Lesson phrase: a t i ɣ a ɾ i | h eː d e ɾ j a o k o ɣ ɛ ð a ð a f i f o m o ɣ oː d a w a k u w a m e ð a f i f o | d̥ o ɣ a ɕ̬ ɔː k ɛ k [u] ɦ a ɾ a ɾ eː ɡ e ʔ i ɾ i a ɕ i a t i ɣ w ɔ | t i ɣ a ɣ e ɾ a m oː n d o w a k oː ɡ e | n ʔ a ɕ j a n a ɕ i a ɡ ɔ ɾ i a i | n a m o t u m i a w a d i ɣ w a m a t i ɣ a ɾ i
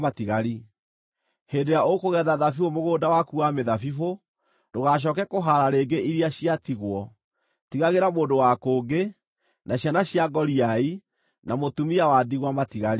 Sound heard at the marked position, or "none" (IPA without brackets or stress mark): o